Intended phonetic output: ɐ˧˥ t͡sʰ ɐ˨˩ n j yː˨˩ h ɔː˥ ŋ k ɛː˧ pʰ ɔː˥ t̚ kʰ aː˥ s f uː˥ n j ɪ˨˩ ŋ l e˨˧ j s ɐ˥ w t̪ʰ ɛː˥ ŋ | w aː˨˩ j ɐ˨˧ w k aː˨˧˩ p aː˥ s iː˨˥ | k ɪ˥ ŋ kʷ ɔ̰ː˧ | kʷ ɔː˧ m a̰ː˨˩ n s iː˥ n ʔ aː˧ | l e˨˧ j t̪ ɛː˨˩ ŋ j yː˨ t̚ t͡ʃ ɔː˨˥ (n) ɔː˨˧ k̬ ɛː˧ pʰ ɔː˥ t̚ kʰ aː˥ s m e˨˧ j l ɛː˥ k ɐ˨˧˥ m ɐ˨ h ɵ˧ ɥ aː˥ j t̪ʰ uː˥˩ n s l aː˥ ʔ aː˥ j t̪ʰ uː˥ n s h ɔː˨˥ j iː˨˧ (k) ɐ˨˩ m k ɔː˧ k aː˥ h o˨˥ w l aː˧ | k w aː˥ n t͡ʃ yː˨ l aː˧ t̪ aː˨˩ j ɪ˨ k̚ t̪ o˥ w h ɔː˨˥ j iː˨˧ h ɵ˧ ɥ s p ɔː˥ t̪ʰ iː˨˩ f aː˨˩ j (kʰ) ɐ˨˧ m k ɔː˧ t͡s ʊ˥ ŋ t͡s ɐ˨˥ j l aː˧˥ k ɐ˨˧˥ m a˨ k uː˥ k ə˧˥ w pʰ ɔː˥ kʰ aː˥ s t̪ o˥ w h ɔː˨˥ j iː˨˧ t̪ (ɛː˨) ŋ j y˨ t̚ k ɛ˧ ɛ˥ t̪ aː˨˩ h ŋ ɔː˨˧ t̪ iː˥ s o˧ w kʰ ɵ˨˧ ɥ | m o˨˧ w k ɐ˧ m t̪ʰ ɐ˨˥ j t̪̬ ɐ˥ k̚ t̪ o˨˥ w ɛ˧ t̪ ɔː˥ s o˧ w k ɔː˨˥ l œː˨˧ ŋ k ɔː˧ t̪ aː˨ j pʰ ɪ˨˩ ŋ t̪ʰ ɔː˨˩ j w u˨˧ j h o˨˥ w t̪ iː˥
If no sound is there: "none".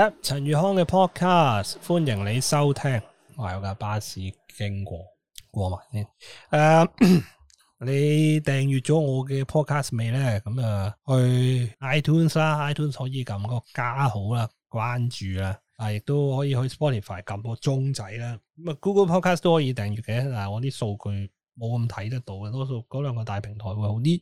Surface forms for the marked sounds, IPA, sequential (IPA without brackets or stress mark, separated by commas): ŋ, k, k, ɛː˨